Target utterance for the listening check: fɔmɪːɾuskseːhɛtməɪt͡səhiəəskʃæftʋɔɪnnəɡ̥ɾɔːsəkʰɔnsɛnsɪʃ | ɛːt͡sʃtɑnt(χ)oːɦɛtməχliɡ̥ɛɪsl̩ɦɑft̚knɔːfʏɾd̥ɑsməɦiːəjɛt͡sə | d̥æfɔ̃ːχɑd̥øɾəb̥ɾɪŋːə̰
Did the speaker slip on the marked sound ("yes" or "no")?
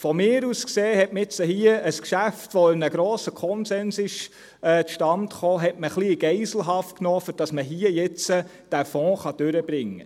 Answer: no